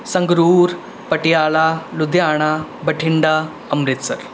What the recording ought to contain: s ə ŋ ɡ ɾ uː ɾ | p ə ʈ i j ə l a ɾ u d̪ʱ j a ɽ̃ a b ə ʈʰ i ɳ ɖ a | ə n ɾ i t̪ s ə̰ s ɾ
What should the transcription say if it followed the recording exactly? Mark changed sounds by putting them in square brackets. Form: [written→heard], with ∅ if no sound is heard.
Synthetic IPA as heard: s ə ŋ ɡ ɾ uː ɾ | p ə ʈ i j [ə→a] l a [ɾ→l] u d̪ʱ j a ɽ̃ a b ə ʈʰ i ɳ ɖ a | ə [n→m] ɾ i t̪ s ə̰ [s→∅] ɾ